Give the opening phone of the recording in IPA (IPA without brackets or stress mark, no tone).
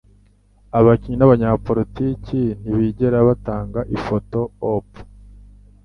a